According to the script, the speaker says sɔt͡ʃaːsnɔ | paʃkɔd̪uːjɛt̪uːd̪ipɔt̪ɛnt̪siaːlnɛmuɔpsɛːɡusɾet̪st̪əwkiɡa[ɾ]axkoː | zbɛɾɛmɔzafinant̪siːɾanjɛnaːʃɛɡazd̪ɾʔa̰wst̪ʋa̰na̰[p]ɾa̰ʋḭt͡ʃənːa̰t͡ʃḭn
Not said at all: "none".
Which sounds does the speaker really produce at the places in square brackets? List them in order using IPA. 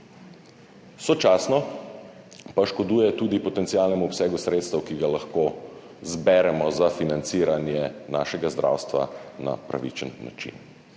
l, p

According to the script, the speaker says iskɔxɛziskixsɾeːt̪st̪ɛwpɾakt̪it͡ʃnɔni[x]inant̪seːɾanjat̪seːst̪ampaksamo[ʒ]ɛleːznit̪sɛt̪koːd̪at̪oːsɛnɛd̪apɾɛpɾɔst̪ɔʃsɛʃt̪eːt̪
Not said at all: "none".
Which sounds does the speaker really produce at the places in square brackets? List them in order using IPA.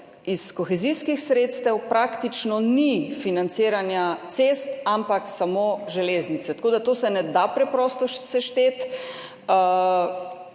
f, ʒ

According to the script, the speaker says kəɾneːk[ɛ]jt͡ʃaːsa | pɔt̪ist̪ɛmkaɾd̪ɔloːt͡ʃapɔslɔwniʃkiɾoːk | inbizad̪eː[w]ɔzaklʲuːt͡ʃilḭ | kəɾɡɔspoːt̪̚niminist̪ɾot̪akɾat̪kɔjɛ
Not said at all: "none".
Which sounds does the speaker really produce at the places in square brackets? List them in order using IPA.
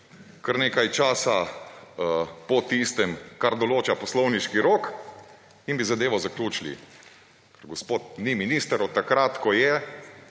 a, ʋ

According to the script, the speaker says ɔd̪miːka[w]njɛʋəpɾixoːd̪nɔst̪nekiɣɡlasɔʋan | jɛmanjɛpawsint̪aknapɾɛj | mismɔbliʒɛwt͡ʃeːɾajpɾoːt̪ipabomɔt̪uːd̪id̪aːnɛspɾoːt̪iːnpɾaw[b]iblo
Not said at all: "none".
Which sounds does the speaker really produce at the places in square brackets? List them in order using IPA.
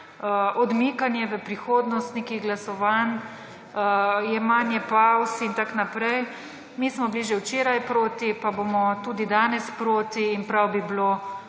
none, b

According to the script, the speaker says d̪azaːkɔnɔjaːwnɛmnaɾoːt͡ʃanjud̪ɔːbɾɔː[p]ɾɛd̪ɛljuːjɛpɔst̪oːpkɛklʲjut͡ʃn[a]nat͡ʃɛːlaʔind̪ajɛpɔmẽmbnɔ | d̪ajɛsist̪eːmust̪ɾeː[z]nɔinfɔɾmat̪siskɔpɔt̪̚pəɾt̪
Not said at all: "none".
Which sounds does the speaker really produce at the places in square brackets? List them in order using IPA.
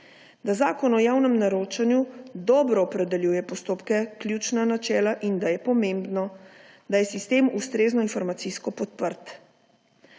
p, a, z

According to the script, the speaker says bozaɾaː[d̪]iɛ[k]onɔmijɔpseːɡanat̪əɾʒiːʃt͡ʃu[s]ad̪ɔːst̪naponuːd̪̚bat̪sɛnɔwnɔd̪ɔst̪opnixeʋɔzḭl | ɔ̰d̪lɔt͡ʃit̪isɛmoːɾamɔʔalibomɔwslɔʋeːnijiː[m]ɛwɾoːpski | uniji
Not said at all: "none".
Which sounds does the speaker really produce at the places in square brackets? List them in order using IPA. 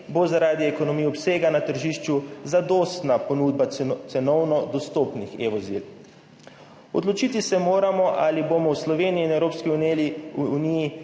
d̪, k, z, n

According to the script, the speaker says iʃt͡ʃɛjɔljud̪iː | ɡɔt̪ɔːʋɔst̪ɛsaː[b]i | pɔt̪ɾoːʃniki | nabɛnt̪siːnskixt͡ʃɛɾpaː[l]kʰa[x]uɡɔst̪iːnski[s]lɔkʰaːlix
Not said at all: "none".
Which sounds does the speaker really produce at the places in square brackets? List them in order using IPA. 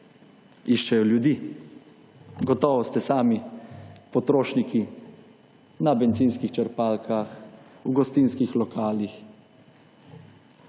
m, l, x, x

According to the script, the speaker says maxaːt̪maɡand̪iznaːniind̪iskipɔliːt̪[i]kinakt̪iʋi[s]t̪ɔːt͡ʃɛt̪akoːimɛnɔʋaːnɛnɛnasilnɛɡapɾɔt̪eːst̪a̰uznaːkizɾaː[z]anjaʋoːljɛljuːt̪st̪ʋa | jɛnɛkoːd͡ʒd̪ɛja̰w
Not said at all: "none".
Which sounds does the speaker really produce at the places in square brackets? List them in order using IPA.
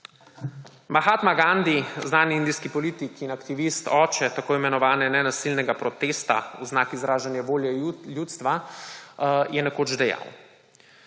i, s, ʒ

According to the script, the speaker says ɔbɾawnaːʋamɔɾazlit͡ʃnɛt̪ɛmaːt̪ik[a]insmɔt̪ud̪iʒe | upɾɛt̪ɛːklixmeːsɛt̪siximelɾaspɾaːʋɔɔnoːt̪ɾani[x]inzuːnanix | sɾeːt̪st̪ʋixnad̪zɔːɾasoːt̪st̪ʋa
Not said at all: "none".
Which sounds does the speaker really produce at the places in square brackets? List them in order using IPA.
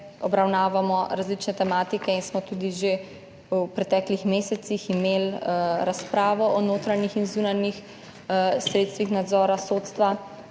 ɛ, x

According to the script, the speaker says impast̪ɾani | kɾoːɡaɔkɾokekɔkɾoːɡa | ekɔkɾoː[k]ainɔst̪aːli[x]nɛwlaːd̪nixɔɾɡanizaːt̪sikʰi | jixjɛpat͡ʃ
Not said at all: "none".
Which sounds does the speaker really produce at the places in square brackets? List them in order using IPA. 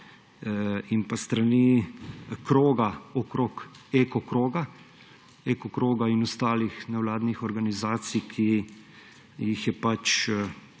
ɡ, x

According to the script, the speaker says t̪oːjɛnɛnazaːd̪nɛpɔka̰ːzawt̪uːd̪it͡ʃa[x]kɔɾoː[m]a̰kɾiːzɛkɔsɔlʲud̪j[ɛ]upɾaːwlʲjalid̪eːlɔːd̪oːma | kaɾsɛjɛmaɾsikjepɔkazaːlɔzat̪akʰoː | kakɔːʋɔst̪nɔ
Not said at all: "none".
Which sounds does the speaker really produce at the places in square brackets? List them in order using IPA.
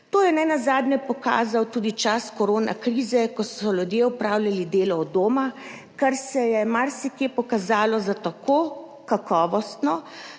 s, n, e

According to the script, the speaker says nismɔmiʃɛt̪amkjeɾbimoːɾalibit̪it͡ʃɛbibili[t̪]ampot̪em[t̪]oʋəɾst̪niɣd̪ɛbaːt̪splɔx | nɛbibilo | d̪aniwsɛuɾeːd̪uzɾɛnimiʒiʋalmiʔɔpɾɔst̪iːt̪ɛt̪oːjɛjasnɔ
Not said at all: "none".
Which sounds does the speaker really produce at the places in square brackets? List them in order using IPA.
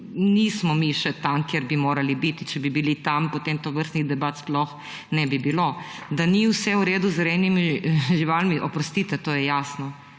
t̪, t̪

